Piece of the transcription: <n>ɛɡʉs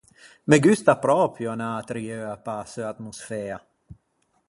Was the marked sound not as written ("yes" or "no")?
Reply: yes